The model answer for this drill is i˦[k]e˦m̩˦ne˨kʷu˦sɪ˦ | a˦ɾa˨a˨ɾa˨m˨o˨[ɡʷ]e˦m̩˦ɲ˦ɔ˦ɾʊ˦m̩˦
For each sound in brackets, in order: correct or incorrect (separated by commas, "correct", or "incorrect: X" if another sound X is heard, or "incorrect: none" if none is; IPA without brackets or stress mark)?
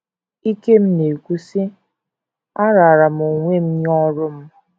correct, incorrect: ŋʷ